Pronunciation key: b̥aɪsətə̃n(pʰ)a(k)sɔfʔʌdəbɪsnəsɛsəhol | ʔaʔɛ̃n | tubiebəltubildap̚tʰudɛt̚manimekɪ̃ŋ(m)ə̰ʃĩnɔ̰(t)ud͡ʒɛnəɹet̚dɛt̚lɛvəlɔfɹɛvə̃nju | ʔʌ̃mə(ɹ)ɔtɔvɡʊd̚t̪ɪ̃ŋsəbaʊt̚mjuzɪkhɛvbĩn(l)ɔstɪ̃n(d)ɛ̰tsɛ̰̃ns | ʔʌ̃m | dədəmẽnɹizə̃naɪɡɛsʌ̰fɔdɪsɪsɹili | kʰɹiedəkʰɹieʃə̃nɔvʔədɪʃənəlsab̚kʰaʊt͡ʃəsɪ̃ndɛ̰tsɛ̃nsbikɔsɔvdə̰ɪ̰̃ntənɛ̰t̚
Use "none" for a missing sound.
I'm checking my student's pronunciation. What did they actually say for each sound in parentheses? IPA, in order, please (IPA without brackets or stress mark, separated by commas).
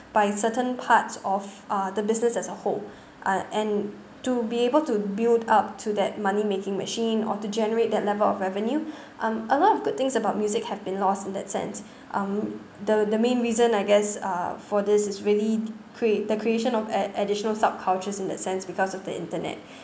pʰ, t, m, t, l, l, d